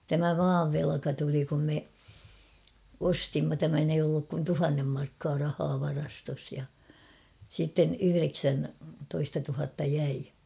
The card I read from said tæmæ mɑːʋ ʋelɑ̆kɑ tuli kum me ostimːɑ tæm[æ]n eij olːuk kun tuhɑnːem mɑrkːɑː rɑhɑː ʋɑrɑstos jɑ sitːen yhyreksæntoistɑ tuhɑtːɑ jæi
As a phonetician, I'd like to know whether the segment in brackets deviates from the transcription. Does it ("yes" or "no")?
no